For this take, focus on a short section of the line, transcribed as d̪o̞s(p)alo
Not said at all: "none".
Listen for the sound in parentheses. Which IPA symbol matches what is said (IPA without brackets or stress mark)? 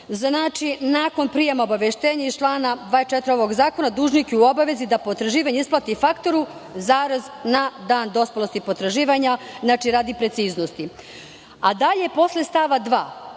p